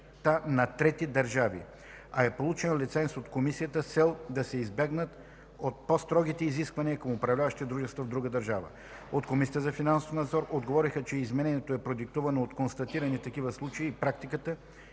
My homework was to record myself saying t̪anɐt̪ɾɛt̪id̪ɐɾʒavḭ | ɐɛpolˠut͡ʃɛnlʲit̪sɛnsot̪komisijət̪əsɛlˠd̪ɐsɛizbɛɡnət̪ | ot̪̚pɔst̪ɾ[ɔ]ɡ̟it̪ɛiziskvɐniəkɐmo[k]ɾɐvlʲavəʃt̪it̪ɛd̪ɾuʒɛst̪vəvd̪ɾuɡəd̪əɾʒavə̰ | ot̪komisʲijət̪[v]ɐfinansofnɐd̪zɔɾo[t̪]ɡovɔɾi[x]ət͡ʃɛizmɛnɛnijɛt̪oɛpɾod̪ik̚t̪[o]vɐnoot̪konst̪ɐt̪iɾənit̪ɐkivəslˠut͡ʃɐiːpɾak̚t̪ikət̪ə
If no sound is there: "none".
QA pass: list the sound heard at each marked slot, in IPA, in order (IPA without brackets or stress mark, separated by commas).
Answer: ɔ, p, z, d̪, x, u